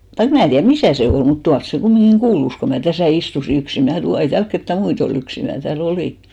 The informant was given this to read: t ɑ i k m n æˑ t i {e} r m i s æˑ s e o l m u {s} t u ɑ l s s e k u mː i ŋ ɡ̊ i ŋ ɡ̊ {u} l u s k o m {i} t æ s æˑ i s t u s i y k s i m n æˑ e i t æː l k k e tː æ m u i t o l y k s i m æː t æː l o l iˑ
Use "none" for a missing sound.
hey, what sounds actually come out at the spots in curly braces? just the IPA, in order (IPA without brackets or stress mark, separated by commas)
æ, t, uː, æ